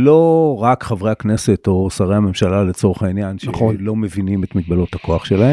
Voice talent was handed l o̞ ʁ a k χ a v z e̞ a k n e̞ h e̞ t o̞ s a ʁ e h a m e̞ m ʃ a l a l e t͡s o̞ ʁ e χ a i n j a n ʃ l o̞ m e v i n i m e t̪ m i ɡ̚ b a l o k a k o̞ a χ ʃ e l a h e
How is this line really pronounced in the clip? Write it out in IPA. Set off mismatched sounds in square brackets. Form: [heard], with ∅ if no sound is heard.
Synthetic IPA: l o̞ ʁ a k χ a v [ʁ] e̞ a k n e̞ [s] e̞ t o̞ s a ʁ e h a m e̞ m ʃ a l a l e t͡s o̞ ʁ e χ a i n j a n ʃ l o̞ m e v i n i m e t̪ m i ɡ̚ b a l o [t] a k o̞ a χ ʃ e l a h e